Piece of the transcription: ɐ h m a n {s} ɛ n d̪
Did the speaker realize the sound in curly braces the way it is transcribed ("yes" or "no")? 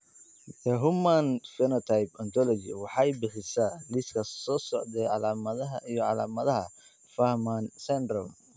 yes